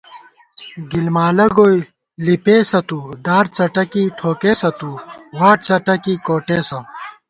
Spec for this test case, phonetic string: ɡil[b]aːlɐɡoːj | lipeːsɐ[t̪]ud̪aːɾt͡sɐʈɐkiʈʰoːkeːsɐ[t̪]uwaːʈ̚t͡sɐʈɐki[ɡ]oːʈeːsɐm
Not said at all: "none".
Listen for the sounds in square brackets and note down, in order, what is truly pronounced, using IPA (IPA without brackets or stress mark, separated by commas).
m, t̪, t̪, k